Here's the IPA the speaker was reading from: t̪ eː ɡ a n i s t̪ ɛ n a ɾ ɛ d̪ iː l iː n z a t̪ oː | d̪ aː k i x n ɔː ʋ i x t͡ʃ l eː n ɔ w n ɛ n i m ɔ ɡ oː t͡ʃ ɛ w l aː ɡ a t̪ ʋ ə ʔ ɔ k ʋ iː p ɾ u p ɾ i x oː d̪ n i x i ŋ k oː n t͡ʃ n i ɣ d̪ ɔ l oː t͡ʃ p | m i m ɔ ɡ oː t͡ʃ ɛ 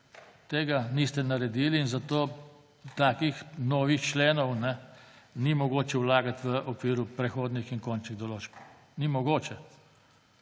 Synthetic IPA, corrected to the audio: t̪ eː ɡ a n i s t̪ ɛ n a ɾ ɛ d̪ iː l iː n z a t̪ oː | t̪ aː k i x n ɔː ʋ i x t͡ʃ l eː n ɔ w n ɛ n i m ɔ ɡ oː t͡ʃ ɛ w l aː ɡ a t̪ ʋ ə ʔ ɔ k ʋ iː ɾ u p ɾ ɛ x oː d̪ n i x i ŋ k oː n t͡ʃ n i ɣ d̪ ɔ l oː t͡ʃ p | n i m ɔ ɡ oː t͡ʃ ɛ

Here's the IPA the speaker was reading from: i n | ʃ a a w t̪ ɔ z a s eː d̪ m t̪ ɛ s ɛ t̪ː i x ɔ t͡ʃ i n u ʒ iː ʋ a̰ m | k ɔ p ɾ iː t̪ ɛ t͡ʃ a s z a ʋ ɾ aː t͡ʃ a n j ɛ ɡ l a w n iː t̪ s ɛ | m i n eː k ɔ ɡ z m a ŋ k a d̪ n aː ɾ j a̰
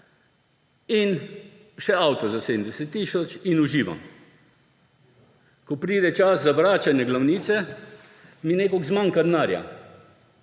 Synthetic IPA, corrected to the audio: i n | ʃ ɛ a w t̪ ɔ z a s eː d̪ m d̪ ɛ s ɛ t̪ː i s ɔ t͡ʃ i n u ʒ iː ʋ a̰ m | k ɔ p ɾ iː d̪ ɛ t͡ʃ a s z a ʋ ɾ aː t͡ʃ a n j ɛ ɡ l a w n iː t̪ s ɛ | m i n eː k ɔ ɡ z m a ŋ k a d̪ n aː ɾ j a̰

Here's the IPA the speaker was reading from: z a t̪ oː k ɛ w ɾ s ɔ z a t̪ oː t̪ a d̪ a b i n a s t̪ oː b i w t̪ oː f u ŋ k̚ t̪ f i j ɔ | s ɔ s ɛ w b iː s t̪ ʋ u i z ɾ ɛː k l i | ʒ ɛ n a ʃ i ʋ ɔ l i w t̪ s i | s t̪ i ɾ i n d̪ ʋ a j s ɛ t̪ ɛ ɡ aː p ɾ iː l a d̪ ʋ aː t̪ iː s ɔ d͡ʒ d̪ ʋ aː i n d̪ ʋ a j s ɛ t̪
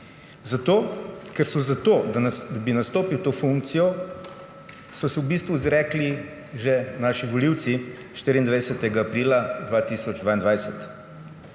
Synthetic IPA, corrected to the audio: z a t̪ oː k ɛ ɾ s ɔ z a t̪ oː d̪ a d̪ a b i n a s t̪ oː p i w t̪ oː f u ŋ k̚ t̪ s i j ɔ | s ɔ s ɛ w b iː s t̪ ʋ u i z ɾ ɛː k l i | ʒ ɛ n a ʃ i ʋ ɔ l i w t̪ s i | ʃ t̪ i ɾ i n d̪ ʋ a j s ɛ t̪ ɛ ɡ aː p ɾ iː l a d̪ ʋ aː t̪ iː s ɔ d͡ʒ d̪ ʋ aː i n d̪ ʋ a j s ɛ t̪

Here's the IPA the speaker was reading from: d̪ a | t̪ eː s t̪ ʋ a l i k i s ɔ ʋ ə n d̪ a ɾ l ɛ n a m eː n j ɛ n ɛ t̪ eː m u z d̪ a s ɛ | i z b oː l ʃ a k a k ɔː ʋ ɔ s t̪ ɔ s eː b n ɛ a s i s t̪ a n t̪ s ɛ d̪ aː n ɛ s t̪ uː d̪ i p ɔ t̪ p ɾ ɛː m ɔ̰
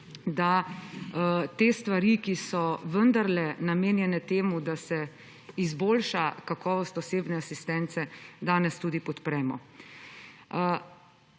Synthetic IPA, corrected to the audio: d̪ a | t̪ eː s t̪ ʋ a ɾ i k i s ɔ ʋ ə n d̪ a ɾ l ɛ n a m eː n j ɛ n ɛ t̪ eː m u d̪ a s ɛ | i z b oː l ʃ a k a k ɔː ʋ ɔ s t̪ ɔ s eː b n ɛ a s i s t̪ ɛ n t̪ s ɛ d̪ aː n ɛ s t̪ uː d̪ i p ɔ t̪ p ɾ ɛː m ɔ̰

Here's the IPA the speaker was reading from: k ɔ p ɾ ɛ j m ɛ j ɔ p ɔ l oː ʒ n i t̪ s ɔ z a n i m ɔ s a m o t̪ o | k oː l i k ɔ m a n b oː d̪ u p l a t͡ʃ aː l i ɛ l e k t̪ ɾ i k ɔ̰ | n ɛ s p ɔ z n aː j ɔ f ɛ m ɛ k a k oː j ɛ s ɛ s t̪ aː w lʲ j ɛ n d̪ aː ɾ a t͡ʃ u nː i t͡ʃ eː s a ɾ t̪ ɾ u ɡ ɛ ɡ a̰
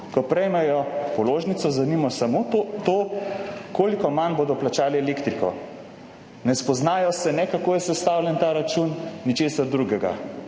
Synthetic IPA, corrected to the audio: k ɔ p ɾ ɛ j m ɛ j ɔ p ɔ l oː ʒ n i t̪ s ɔ z a n i m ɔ s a m o t̪ o | k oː l i k ɔ m a n b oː d̪ ɔ p l a t͡ʃ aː l i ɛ l e k t̪ ɾ i k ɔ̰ | n ɛ s p ɔ z n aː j ɔ s ɛ n ɛ k a k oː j ɛ s ɛ s t̪ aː w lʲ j ɛ n t̪ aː ɾ a t͡ʃ u nː i t͡ʃ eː s a ɾ d̪ ɾ u ɡ ɛ ɡ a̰

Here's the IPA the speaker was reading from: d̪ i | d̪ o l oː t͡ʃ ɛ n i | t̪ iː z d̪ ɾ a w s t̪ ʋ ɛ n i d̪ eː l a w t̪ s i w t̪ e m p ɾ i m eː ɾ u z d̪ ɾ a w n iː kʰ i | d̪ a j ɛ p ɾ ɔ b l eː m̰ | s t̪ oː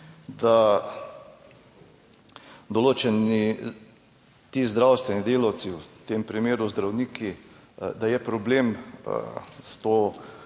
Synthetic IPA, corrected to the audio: d̪ a | d̪ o l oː t͡ʃ ɛ n i | t̪ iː z d̪ ɾ a w s t̪ ʋ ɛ n i d̪ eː l a w t̪ s i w t̪ e m p ɾ i m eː ɾ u z d̪ ɾ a w n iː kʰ i | d̪ a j ɛ p ɾ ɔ b l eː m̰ | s t̪ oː

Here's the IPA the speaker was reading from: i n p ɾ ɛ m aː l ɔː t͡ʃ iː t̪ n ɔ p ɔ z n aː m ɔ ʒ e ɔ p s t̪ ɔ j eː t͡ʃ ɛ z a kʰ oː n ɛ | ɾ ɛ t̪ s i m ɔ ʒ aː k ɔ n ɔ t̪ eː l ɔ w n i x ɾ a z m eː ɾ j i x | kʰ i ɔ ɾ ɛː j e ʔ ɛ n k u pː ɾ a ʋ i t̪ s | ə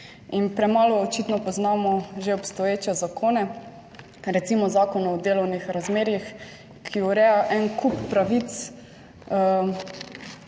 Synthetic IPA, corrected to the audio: i n p ɾ ɛ m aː l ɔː t͡ʃ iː t̪ n ɔ p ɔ z n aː m ɔ ʒ e ɔ p s t̪ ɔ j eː t͡ʃ ɛ z a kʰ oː n ɛ | ɾ ɛ t̪ s i m ɔ z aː k ɔ n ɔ d̪ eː l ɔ w n i x ɾ a z m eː ɾ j i x | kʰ i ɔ ɾ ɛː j a ʔ ɛ n k u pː ɾ a ʋ i t̪ s | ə

